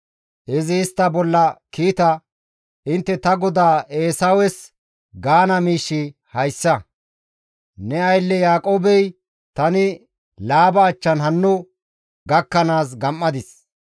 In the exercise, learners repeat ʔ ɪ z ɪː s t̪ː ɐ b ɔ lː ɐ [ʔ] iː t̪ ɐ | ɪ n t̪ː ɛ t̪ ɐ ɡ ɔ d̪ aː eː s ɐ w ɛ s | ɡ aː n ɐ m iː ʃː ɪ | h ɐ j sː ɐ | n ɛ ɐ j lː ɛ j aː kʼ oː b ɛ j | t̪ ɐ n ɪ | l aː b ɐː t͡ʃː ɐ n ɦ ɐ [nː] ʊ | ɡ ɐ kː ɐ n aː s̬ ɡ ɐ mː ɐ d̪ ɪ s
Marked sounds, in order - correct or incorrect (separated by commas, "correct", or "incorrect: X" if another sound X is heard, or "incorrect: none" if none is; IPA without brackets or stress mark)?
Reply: incorrect: k, correct